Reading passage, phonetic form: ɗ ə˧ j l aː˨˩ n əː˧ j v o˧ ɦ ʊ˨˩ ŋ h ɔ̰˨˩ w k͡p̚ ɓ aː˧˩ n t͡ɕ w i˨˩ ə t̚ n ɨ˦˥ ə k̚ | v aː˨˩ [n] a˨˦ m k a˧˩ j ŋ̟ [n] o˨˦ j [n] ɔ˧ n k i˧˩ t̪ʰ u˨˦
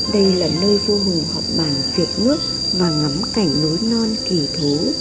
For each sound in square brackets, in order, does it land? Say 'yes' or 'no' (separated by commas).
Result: no, yes, yes